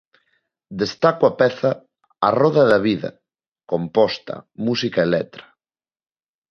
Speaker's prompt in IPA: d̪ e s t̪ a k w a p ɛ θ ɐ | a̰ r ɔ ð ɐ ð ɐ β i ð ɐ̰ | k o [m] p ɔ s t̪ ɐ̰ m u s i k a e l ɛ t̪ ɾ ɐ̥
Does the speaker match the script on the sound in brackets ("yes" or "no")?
yes